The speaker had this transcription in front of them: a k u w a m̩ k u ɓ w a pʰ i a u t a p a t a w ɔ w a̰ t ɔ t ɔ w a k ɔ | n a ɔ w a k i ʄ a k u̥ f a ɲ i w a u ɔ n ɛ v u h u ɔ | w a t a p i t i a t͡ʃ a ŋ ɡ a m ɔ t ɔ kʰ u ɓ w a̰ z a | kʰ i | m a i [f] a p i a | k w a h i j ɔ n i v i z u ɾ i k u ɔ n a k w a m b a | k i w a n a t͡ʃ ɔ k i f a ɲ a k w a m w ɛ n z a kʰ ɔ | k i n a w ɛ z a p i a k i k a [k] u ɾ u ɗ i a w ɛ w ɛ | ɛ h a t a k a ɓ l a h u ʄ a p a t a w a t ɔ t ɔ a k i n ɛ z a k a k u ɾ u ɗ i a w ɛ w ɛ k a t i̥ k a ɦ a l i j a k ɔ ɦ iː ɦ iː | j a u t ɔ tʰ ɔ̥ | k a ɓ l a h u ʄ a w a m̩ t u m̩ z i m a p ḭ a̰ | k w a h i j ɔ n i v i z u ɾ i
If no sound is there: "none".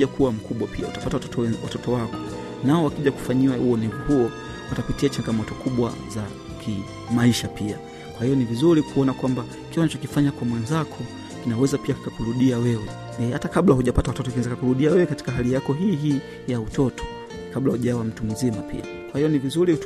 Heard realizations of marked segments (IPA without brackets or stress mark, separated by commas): ʃ, k